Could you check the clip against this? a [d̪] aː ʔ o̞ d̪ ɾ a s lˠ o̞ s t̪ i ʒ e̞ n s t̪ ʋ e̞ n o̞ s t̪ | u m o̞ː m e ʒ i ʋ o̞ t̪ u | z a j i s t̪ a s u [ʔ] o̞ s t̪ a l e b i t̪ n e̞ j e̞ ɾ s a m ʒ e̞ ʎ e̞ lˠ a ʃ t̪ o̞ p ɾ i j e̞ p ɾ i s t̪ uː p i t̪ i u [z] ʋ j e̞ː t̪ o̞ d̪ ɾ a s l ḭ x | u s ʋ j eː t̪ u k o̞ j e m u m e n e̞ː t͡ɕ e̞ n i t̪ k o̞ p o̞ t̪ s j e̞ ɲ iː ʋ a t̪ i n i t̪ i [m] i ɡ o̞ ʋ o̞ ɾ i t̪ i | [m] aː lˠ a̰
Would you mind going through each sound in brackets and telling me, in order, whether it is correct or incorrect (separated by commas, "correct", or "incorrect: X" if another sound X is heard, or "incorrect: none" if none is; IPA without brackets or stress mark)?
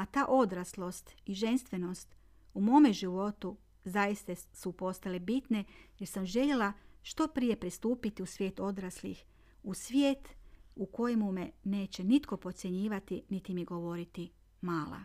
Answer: incorrect: t̪, incorrect: p, incorrect: s, correct, correct